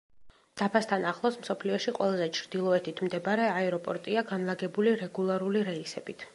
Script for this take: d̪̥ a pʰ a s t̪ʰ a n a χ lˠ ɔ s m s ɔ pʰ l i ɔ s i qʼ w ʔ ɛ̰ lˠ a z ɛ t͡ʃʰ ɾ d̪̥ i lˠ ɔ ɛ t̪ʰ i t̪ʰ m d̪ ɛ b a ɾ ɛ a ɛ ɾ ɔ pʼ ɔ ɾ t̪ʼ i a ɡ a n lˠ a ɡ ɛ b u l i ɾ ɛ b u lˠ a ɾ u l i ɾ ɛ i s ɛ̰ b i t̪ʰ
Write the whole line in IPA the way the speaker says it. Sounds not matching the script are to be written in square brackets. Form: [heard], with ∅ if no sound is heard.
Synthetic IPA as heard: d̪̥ a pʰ a s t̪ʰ a n a χ lˠ ɔ s m s ɔ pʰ l i ɔ [ʃ] i qʼ w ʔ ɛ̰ lˠ a z ɛ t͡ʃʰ ɾ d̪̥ i lˠ ɔ ɛ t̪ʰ i t̪ʰ m d̪ ɛ b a ɾ ɛ a ɛ ɾ ɔ pʼ ɔ ɾ t̪ʼ i a ɡ a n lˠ a ɡ ɛ b u l i ɾ ɛ [ɡ] u lˠ a ɾ u l i ɾ ɛ i s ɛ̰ b i t̪ʰ